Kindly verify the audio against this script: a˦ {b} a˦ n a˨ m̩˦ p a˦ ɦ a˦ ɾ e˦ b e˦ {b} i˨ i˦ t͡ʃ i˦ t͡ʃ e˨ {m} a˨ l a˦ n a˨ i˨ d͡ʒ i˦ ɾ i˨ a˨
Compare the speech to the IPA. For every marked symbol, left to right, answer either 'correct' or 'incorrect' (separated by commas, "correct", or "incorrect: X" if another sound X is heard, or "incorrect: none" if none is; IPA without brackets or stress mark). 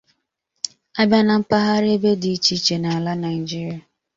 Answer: correct, incorrect: d, incorrect: n